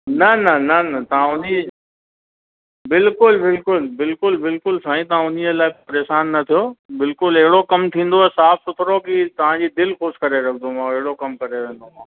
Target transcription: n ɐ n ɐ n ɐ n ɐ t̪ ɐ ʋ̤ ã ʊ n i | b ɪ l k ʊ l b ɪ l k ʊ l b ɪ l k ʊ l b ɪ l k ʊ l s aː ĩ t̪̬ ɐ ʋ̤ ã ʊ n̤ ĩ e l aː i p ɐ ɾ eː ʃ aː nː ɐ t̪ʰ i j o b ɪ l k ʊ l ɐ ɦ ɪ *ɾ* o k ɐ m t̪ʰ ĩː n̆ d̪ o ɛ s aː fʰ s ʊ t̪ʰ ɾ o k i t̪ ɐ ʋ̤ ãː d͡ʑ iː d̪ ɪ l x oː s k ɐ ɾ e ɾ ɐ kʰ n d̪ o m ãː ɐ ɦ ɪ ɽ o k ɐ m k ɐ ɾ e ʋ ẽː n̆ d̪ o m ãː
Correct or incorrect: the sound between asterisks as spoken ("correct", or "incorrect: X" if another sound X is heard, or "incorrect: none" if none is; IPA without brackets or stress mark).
incorrect: ɽ